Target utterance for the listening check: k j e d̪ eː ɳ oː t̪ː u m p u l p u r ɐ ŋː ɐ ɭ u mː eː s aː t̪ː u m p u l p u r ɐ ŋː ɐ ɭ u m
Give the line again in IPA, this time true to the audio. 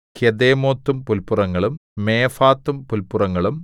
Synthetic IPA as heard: k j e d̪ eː m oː t̪ː u m p u l p u r ɐ ŋː ɐ ɭ u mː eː f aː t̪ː u m p u l p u r ɐ ŋː ɐ ɭ u m